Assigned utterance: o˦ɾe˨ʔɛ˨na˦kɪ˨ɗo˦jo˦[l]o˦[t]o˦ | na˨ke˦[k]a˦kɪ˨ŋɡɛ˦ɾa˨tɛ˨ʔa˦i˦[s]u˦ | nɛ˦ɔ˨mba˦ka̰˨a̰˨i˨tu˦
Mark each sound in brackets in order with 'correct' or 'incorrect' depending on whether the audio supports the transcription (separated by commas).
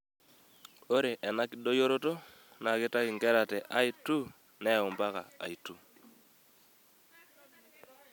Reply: incorrect, correct, incorrect, incorrect